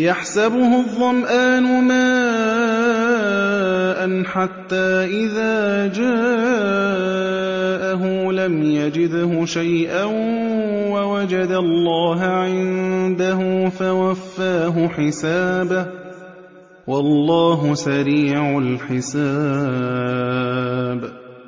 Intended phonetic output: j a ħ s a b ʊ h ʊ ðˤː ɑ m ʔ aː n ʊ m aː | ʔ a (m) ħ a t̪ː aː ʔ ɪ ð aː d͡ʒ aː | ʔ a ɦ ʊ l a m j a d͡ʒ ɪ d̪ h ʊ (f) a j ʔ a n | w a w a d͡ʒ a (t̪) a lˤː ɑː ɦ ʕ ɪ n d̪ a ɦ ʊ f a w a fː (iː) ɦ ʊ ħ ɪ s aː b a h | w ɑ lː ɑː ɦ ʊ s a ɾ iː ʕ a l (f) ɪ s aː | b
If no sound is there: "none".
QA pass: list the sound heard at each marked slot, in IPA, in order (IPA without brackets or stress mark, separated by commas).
n, ʃ, d̪, aː, ħ